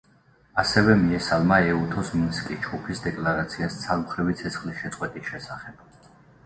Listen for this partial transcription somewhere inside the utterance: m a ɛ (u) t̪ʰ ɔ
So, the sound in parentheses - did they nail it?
yes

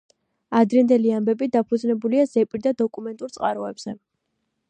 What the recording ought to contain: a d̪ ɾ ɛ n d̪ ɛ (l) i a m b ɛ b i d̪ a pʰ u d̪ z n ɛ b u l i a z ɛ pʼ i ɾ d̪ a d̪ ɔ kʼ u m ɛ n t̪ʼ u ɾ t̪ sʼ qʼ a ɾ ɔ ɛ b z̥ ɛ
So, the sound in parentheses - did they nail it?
yes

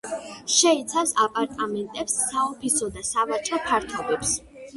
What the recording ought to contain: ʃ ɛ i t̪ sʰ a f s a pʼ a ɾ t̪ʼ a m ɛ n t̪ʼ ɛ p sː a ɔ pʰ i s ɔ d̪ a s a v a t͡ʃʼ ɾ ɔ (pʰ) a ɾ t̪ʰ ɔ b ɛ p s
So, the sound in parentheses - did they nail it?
yes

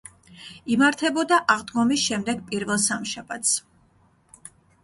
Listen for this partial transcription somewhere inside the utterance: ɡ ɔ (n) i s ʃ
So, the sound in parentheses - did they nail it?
no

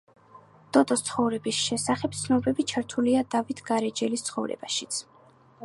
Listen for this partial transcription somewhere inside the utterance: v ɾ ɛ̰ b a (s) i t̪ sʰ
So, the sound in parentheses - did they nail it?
no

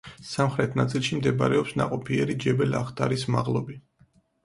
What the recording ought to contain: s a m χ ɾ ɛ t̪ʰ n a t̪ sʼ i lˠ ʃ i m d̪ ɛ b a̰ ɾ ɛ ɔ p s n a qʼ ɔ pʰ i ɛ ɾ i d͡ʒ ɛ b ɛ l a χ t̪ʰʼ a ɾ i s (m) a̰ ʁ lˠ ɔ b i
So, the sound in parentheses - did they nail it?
yes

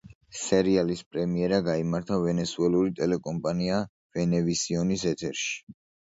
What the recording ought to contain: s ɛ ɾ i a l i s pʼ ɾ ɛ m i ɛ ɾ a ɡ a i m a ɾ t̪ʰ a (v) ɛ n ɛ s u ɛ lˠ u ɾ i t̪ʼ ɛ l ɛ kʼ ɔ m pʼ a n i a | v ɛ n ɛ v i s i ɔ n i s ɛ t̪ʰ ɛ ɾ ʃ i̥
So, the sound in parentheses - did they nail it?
yes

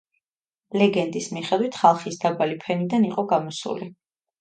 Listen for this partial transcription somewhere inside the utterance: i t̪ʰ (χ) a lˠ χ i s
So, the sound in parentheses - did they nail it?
yes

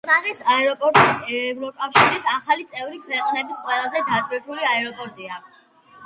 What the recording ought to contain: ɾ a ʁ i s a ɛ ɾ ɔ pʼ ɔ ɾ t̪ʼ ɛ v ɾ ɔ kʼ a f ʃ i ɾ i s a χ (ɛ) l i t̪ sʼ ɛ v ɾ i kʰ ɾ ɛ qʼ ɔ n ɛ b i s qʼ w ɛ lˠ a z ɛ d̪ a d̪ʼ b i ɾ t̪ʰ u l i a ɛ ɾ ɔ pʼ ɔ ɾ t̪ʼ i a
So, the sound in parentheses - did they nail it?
no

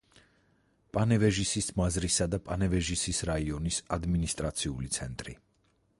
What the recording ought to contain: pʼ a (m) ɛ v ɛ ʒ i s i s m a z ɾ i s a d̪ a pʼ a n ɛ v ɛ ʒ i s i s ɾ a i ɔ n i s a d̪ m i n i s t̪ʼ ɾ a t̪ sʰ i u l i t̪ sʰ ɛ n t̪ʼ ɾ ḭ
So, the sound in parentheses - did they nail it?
no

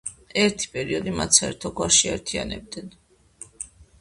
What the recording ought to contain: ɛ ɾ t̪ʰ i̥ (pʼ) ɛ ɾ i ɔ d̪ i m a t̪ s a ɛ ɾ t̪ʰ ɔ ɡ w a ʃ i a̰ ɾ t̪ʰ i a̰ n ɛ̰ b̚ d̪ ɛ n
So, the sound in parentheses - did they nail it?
yes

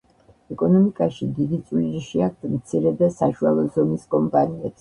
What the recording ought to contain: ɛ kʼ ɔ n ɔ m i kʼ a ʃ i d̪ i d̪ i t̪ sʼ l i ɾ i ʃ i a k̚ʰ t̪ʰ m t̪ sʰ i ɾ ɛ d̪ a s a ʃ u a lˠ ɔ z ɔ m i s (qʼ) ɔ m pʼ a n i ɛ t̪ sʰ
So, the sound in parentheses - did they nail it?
no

